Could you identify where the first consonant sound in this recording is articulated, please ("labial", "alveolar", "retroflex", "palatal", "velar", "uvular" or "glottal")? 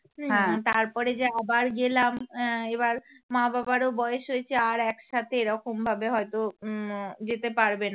glottal